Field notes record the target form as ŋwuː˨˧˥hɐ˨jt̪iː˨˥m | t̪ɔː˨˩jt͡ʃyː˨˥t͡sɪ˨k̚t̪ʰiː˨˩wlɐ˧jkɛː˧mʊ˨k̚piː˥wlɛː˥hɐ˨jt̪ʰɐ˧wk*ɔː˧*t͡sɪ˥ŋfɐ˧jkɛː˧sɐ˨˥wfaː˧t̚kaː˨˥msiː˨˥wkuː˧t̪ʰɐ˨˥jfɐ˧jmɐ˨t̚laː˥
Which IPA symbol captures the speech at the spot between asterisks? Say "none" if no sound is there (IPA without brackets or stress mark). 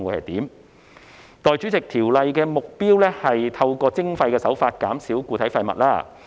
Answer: ɔː˧